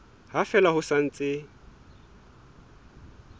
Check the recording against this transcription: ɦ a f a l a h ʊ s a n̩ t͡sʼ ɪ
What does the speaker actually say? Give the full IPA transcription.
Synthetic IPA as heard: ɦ a f ɛ l a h ʊ s a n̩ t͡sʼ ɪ

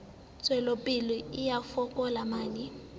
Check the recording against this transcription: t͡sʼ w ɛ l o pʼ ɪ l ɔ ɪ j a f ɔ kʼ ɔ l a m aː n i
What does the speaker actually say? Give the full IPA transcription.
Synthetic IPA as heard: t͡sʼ w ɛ l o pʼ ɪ l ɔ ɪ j a f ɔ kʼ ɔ l a m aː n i

